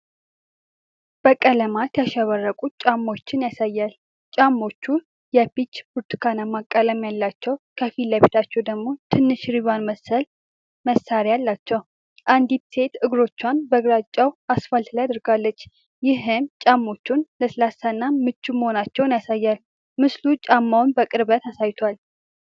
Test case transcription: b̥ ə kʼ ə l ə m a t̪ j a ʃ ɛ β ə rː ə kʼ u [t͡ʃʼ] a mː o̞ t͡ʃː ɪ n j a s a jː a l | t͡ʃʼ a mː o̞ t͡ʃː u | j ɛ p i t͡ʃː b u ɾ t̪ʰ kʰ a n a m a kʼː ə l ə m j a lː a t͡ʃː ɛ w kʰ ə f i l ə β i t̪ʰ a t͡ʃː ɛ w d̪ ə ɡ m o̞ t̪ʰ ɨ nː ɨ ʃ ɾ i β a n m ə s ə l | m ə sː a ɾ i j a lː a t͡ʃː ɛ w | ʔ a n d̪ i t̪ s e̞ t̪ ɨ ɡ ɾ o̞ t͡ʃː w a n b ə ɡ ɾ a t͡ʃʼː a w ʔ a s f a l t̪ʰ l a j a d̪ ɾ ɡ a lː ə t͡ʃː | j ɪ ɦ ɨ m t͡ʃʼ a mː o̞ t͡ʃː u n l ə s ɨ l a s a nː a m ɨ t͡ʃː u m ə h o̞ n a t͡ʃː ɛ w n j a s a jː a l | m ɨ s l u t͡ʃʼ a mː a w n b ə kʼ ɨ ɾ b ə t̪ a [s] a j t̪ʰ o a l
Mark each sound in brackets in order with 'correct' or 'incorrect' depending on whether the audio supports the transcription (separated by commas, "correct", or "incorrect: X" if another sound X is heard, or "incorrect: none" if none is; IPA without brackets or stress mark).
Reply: correct, correct